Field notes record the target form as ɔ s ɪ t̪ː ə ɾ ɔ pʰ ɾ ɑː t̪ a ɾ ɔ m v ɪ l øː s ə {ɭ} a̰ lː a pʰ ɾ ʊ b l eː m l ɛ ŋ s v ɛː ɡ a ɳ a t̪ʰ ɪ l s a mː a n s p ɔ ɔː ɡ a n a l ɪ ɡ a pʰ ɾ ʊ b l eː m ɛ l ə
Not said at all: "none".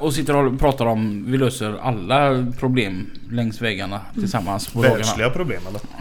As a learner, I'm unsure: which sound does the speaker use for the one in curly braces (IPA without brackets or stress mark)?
ɾ